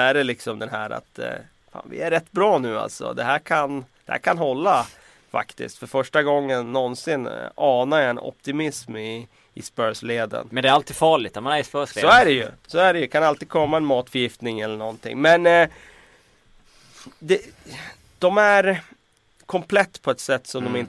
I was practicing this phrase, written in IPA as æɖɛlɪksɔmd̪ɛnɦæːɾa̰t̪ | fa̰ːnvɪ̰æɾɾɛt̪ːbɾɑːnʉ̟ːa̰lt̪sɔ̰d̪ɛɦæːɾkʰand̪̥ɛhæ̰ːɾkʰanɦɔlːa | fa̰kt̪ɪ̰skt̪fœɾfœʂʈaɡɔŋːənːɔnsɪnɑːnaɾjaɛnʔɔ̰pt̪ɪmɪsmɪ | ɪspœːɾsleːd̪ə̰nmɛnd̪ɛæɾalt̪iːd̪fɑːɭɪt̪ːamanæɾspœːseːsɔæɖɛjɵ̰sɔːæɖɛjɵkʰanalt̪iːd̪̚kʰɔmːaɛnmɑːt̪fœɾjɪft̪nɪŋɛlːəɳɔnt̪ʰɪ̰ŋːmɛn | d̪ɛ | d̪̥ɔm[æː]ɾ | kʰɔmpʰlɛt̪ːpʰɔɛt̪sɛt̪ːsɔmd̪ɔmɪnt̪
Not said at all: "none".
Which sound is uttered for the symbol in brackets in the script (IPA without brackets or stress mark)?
æ